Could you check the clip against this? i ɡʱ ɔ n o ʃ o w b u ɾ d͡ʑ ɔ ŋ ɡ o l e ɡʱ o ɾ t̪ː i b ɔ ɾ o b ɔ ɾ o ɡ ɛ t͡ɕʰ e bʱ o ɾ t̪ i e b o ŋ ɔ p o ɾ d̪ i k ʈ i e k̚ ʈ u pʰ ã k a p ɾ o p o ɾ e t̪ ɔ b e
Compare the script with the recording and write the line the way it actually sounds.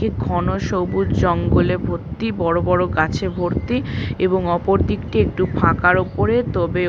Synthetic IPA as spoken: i ɡʱ ɔ n o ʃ o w b u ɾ d͡ʑ ɔ ŋ ɡ o l e bʱ o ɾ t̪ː i b ɔ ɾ o b ɔ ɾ o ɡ a t͡ɕʰ e bʱ o ɾ t̪ i e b o ŋ ɔ p o ɾ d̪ i k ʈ i e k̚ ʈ u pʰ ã k a ɾ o p o ɾ e t̪ ɔ b e